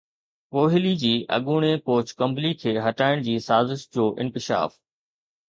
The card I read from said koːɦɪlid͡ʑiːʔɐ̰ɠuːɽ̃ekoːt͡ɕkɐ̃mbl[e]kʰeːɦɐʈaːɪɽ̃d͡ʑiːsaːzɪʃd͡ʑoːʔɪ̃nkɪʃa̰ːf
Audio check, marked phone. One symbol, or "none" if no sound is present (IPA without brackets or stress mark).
i